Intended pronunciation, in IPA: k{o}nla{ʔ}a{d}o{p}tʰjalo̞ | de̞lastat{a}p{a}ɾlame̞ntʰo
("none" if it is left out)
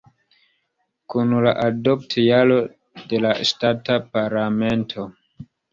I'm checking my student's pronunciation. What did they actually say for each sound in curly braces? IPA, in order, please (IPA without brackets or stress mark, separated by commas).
u, ʔ, d, p, a, a